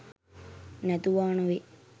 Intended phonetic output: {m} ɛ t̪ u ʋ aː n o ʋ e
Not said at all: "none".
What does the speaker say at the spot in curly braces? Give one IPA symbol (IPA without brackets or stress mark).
n